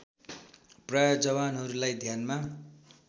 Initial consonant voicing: voiceless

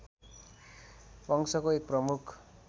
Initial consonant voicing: voiceless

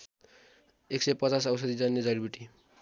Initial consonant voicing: voiceless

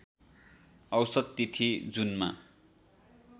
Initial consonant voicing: voiced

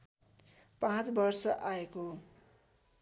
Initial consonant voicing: voiceless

